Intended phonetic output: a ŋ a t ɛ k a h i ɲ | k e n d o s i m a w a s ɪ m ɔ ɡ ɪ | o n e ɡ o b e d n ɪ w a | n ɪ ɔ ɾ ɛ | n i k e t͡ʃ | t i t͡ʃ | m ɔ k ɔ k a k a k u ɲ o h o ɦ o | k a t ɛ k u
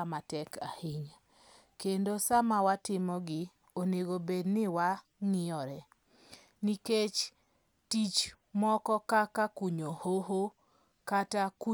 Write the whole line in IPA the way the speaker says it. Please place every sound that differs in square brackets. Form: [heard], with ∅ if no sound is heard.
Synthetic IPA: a [m] a t ɛ k a h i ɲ | k e n d o s [a] m a w a [t] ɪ m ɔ ɡ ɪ | o n e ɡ o b e d n ɪ w a | [ŋ] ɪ ɔ ɾ ɛ | n i k e t͡ʃ | t i t͡ʃ | m ɔ k ɔ k a k a k u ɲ o h o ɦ o | k a t [a] k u